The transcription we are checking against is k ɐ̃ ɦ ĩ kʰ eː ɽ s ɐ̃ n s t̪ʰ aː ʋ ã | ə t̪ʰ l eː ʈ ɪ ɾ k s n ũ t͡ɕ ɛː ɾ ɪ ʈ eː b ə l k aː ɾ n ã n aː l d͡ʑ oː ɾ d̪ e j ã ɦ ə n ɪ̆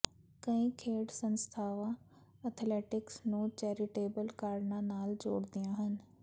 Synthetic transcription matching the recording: k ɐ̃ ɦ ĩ kʰ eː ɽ s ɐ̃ n s t̪ʰ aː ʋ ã | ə t̪ʰ l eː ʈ ɪ k s n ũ t͡ɕ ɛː ɾ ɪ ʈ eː b ə l k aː ɾ n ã n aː l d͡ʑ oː ɽ d̪ i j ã ɦ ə n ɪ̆

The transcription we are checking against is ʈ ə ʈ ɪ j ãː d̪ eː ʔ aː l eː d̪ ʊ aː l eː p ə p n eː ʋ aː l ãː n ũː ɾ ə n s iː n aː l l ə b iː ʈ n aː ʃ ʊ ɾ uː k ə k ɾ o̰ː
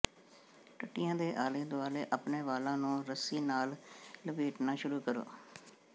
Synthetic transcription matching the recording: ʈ ə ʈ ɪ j ãː d̪ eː ʔ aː l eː d̪ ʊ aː l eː ʔ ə p n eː ʋ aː l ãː n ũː ɾ ə s iː n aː l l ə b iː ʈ n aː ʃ ʊ ɾ uː k ə ɾ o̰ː

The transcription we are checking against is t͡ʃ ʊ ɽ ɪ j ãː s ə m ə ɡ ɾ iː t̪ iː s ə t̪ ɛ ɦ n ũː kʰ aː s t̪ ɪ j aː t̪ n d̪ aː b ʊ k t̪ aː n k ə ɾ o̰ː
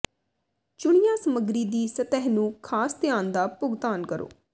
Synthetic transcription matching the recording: t͡ʃ ʊ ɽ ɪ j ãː s ə m ə ɡ ɾ iː d̪ iː s ə t̪ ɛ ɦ n ũː kʰ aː s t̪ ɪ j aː n d̪ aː p ʊ ɡ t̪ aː n k ə ɾ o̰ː

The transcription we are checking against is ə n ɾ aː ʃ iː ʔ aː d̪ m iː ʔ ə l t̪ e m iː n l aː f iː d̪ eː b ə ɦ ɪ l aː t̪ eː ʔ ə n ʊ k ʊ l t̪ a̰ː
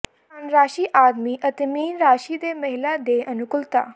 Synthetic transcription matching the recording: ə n ɾ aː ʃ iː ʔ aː d̪ m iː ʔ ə t̪ e m iː n ɾ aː ʃ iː d̪ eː m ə ɦ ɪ l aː d̪ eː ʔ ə n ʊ k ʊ l t̪ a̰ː

